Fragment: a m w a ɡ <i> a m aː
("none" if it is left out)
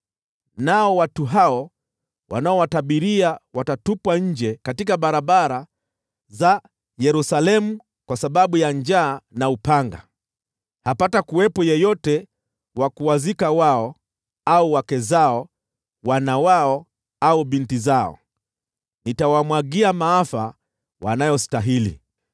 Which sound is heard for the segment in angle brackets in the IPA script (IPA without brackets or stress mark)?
i